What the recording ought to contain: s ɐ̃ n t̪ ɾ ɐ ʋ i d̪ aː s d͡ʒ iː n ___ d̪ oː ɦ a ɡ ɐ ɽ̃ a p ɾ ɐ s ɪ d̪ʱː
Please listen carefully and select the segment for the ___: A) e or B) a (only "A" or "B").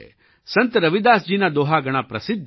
B